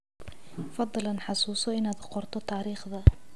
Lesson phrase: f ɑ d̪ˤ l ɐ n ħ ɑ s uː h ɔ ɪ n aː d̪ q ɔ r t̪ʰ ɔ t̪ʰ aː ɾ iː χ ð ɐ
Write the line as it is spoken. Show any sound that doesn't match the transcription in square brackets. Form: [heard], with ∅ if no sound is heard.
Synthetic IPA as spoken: f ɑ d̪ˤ l ɐ n ħ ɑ s uː [s] ɔ ɪ n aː d̪ q ɔ r t̪ʰ ɔ t̪ʰ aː ɾ iː χ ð ɐ

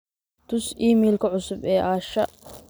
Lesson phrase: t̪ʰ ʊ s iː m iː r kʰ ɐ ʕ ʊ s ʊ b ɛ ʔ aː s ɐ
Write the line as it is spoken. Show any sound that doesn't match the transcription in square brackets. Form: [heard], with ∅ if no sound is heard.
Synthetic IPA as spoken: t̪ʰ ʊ s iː m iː [l] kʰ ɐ ʕ ʊ s ʊ b [ɛː] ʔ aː [ʃ] ɐ

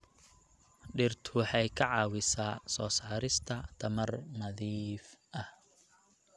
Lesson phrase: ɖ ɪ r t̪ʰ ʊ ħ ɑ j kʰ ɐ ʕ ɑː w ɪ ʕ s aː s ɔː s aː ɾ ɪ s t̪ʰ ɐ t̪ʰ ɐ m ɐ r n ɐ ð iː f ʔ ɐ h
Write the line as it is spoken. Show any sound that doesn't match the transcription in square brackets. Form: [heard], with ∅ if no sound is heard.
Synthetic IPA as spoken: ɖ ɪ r t̪ʰ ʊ ħ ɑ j kʰ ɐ ʕ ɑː w ɪ [∅] s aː s ɔː s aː ɾ ɪ s t̪ʰ ɐ t̪ʰ ɐ m ɐ r n ɐ ð iː f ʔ ɐ h

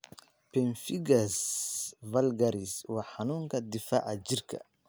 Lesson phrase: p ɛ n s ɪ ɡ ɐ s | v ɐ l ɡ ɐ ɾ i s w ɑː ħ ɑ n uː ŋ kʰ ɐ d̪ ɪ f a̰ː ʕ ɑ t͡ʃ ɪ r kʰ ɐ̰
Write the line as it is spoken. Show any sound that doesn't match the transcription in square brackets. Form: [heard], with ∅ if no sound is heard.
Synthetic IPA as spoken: p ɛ n [f] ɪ ɡ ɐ s | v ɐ l ɡ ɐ ɾ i s w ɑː ħ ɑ n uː ŋ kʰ ɐ d̪ ɪ f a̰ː ʕ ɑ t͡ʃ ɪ r kʰ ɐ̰

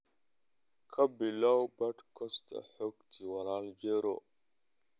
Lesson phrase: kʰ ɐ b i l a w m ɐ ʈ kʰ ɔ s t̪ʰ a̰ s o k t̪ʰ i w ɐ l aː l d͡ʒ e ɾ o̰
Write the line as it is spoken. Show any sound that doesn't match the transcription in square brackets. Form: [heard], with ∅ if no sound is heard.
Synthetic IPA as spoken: kʰ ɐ b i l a w [b] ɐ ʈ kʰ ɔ s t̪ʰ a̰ [ħ] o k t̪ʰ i w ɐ l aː l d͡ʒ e ɾ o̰

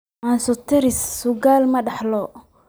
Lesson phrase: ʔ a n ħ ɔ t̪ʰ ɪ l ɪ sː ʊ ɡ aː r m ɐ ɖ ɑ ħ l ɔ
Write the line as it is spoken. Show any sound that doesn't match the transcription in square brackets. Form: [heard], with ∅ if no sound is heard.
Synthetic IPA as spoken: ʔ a n [s] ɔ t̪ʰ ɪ [ɾ] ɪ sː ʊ ɡ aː [l] m ɐ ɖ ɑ ħ l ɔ

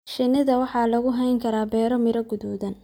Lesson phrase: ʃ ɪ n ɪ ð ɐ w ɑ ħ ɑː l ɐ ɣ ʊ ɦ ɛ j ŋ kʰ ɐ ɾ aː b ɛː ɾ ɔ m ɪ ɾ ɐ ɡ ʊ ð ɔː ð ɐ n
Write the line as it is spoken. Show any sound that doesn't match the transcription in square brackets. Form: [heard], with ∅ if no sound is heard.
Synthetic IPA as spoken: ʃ ɪ n ɪ ð ɐ w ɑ ħ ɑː l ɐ ɣ ʊ ɦ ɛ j ŋ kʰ ɐ ɾ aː b ɛː ɾ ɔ m ɪ ɾ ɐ ɡ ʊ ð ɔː ð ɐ n

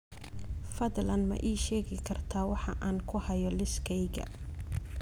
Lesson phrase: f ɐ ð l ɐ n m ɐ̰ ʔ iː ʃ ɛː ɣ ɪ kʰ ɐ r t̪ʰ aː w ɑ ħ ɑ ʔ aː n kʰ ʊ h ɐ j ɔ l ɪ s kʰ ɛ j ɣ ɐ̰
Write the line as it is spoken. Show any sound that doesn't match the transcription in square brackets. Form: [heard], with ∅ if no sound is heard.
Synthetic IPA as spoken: f ɐ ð l ɐ n m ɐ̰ ʔ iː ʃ ɛː ɣ ɪ kʰ ɐ r t̪ʰ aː w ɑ ħ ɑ ʔ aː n kʰ ʊ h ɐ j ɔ l ɪ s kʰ ɛ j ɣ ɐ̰

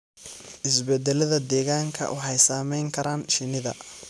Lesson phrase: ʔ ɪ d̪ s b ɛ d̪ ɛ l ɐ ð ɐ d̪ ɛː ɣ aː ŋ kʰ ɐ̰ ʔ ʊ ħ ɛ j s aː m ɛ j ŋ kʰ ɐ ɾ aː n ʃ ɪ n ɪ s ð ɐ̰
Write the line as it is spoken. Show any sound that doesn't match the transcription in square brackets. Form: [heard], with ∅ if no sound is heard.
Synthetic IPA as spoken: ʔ ɪ [∅] s b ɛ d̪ ɛ l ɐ ð ɐ d̪ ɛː ɣ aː ŋ kʰ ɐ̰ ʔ ʊ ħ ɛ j s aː m ɛ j ŋ kʰ ɐ ɾ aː n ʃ ɪ n ɪ [∅] ð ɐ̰

